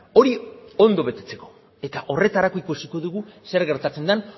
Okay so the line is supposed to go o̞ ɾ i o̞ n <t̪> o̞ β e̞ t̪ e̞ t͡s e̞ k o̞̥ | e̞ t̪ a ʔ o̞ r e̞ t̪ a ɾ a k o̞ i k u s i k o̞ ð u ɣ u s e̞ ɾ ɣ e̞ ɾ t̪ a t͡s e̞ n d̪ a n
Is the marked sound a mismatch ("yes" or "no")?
yes